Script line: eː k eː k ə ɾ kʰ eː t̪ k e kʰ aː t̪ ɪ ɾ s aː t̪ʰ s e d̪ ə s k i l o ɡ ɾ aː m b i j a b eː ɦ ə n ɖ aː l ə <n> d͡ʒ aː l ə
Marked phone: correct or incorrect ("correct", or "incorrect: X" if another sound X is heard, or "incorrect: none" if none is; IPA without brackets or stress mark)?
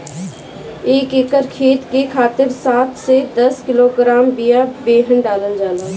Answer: correct